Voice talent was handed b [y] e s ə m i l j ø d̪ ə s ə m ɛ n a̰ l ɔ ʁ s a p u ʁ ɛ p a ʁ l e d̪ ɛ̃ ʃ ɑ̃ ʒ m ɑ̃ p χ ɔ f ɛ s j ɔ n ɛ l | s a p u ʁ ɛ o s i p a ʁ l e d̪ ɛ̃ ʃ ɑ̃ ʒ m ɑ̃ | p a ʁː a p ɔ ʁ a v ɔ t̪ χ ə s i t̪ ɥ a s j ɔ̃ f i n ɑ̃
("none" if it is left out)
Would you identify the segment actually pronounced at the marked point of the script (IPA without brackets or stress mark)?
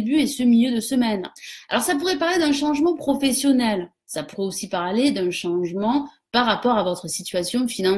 y